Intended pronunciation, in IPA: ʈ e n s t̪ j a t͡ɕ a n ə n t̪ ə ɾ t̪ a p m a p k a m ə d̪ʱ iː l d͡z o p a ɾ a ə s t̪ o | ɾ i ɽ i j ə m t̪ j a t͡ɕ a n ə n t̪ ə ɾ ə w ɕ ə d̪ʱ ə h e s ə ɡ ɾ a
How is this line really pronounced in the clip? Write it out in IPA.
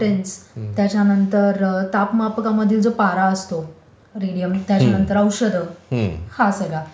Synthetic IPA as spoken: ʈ e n s t̪ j a t͡ɕ a n ə n t̪ ə ɾ t̪ a p m a p k a m ə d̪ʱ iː l d͡z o p a ɾ a ə s t̪ o | ɾ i ɽ i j ə m t̪ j a t͡ɕ a n ə n t̪ ə ɾ ə w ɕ ə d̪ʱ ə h a s ə ɡ ɭ a